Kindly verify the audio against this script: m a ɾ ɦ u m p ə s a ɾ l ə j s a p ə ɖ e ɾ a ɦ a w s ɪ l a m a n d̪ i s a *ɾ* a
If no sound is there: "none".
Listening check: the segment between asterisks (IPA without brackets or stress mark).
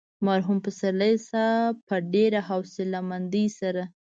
ɾ